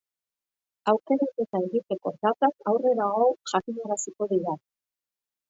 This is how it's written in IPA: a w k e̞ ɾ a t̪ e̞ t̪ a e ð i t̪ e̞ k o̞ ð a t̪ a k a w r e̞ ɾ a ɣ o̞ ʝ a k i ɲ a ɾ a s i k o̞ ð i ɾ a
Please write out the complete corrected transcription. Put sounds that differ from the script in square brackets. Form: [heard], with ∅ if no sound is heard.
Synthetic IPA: a w k e̞ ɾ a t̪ e̞ t̪ a e [ɣ] i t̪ e̞ k o̞ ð a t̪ a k a w r e̞ ɾ a ɣ o̞ ʝ a k i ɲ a ɾ a s i k o̞ ð i ɾ a